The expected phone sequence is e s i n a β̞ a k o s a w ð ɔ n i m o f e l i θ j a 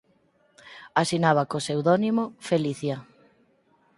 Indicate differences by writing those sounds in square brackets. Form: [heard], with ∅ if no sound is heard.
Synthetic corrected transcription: [a] s i n a β̞ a k o s [e] w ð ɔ n i m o f e l i θ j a